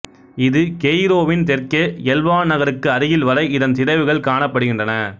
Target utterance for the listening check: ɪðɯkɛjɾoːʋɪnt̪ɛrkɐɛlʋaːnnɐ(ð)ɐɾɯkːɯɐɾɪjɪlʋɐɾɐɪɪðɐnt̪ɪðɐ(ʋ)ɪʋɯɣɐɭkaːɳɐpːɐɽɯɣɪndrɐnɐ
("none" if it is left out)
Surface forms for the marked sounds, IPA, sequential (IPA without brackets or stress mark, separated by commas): ɣ, none